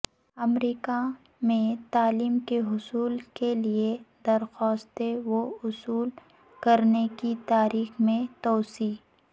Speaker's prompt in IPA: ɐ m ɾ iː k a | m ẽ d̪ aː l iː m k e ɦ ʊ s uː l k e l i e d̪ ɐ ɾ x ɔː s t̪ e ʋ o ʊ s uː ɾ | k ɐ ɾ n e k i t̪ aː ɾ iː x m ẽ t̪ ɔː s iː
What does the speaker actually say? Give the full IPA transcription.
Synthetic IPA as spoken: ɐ m ɾ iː k a | m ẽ t̪ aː l iː m k e ɦ ʊ s uː l k e l i e d̪ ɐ ɾ x ɔː s t̪ e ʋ o ʊ s uː l | k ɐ ɾ n e k i t̪ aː ɾ iː x m ẽ t̪ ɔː s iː